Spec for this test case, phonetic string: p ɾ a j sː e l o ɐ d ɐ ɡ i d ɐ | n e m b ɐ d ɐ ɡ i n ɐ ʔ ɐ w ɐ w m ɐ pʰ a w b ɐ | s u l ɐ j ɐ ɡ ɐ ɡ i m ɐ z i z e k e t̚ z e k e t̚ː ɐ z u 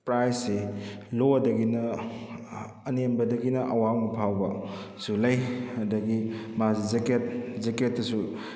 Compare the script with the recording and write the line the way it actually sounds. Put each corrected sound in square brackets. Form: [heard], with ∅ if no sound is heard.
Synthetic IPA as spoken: p ɾ a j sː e l o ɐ d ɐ ɡ i [n] ɐ | n e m b ɐ d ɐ ɡ i n ɐ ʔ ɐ w [a] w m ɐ pʰ a w b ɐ | s u l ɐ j ɐ [d] ɐ ɡ i m [a] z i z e k e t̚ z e k e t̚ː ɐ [s] u